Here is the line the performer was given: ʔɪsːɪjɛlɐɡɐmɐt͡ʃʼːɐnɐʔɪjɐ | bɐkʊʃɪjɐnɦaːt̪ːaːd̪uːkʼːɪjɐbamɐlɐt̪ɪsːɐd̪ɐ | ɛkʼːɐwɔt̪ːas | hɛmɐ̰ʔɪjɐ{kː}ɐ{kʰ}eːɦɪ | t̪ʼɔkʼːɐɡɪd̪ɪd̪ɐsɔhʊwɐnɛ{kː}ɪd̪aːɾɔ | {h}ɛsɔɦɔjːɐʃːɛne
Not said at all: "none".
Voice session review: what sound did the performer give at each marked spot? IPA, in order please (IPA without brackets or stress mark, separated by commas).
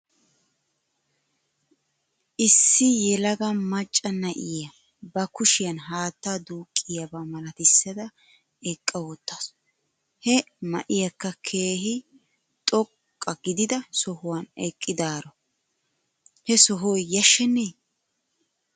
kː, kʰ, kʼː, h